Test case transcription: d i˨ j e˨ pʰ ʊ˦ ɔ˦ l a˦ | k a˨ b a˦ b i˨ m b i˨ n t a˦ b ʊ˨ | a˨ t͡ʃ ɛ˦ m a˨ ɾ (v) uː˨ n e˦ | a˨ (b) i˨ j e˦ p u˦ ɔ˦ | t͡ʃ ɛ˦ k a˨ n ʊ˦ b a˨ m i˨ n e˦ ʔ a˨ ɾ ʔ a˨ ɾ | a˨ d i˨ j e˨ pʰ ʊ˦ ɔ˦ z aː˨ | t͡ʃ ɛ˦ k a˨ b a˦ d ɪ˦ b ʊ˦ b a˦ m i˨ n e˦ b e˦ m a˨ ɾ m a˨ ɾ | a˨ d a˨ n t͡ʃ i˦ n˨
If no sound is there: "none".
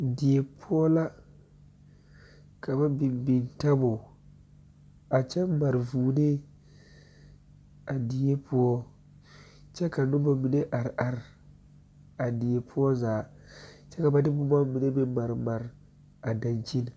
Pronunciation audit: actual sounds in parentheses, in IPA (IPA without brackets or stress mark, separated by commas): v, d